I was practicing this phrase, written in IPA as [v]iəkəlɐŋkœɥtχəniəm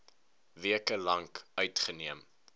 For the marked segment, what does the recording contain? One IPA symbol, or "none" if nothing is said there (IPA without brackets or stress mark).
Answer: v